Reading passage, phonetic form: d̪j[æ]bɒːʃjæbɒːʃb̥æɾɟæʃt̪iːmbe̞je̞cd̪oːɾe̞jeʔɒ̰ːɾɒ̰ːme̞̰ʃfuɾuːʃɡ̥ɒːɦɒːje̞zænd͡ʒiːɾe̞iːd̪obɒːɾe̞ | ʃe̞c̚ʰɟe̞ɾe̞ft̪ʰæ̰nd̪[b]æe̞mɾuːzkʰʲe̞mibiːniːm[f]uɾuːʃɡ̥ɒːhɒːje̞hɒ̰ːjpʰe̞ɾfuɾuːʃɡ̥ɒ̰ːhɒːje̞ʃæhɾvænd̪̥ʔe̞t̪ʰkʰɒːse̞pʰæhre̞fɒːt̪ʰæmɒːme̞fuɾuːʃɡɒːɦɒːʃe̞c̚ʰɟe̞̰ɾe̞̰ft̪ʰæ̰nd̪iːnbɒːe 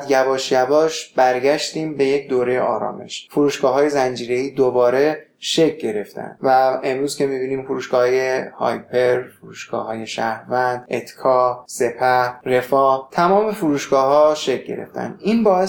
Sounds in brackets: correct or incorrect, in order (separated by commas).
correct, incorrect, correct